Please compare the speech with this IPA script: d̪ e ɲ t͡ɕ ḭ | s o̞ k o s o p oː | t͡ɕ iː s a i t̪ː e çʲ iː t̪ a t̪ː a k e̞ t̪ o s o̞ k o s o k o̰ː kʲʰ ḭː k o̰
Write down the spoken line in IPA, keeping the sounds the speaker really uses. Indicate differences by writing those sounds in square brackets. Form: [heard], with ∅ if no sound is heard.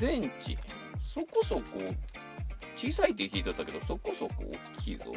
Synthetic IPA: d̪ [ẽ] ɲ t͡ɕ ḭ | s o̞ k o s o [k] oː | t͡ɕ iː s a i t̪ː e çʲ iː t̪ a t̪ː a k e̞ [d̪] o s o̞ k o s o k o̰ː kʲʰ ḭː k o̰